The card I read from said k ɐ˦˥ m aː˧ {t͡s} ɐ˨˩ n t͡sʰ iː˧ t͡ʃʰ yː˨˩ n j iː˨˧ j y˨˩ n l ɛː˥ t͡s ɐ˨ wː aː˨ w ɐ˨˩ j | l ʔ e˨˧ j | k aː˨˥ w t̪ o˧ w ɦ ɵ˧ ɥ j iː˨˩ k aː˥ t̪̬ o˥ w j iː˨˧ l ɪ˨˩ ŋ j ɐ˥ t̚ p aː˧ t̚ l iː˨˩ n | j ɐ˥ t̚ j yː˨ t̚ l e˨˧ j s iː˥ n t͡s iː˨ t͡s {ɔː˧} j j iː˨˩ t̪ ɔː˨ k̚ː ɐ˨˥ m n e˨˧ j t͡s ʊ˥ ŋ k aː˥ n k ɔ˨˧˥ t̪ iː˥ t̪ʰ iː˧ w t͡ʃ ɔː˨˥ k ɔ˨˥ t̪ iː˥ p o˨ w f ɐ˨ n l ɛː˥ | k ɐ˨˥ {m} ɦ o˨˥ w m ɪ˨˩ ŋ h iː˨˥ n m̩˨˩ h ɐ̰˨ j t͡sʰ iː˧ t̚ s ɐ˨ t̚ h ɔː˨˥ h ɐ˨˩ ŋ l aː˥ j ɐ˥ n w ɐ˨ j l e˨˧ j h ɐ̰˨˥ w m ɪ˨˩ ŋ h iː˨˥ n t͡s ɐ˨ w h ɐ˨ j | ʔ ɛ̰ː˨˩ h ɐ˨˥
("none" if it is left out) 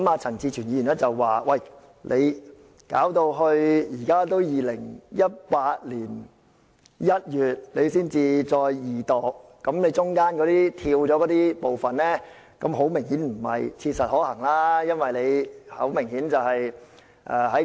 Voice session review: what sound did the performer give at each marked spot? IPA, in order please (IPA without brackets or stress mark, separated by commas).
t͡sʰ, ɔː˧, m